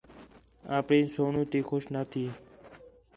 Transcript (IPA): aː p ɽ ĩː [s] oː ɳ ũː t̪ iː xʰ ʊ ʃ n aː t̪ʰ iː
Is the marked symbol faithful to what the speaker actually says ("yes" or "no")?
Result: yes